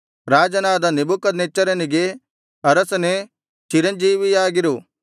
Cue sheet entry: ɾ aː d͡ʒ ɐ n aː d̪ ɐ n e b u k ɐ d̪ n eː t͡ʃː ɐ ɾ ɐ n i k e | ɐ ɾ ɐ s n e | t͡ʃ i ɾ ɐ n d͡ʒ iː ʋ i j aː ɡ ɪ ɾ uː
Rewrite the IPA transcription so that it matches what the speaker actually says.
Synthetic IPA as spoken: ɾ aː d͡ʒ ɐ n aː d̪ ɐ n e b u k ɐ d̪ n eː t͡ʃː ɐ ɾ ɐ n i ɡ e | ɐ ɾ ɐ s n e | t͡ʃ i ɾ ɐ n d͡ʒ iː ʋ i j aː ɡ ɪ ɾ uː